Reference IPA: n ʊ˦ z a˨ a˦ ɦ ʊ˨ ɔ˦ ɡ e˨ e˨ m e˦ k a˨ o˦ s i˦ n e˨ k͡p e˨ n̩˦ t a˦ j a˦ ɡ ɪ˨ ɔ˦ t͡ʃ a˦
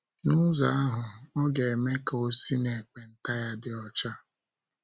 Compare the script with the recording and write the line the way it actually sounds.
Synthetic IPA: n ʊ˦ z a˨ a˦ ɦ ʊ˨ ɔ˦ ɡ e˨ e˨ m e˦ k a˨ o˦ s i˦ n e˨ k͡p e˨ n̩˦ t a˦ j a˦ d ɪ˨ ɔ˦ t͡ʃ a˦